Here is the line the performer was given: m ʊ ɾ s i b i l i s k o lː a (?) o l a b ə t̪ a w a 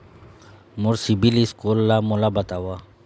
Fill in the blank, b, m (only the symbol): m